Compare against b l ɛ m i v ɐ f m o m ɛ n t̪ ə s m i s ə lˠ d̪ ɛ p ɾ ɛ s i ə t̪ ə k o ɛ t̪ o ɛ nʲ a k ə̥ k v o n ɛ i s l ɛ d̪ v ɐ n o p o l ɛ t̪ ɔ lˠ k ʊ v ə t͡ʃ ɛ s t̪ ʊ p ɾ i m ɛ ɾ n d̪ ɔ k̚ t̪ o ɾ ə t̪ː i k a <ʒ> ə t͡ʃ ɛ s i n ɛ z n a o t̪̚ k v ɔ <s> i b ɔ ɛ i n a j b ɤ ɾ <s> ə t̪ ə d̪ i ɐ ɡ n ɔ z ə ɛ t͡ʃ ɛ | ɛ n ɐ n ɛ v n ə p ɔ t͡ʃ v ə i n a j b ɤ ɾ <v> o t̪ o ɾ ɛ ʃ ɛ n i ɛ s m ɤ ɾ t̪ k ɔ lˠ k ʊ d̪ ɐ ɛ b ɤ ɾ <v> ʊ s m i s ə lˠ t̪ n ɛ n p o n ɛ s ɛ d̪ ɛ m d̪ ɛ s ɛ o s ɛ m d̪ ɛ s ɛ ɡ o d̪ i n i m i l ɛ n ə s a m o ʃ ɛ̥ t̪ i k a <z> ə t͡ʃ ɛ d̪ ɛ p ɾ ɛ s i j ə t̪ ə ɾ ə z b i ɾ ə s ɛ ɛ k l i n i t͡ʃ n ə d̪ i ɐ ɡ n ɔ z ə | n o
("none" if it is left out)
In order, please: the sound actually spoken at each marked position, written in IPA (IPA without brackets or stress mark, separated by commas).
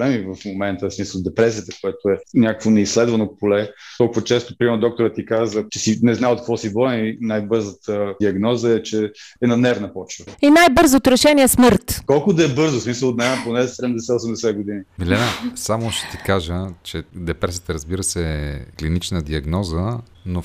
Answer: z, s, z, z, z, ʒ